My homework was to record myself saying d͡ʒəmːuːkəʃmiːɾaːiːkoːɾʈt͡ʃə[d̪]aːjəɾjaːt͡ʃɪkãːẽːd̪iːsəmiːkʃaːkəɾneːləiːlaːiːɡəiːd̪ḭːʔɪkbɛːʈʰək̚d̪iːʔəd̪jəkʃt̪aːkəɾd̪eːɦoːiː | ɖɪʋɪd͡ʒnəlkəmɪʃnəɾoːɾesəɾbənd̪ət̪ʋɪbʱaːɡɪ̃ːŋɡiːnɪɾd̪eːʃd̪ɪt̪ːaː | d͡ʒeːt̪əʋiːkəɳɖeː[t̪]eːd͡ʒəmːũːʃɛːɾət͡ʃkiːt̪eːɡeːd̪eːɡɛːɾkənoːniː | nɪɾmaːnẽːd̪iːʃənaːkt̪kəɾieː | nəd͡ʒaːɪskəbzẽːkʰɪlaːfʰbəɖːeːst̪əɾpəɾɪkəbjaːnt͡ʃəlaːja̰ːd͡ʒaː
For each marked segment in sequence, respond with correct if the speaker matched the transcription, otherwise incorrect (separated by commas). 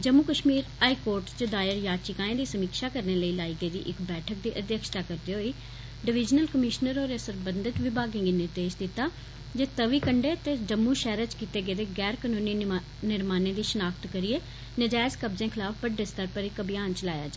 correct, correct